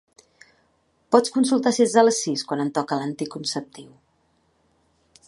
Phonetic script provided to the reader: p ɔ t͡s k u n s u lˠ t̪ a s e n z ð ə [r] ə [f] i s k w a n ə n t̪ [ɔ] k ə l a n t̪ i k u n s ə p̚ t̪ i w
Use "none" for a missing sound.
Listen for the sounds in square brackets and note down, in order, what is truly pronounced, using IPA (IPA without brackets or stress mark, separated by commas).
l, s, ɔ